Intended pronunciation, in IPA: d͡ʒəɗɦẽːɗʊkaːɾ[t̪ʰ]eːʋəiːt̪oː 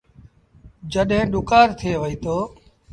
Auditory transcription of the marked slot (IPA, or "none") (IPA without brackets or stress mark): t̪ʰ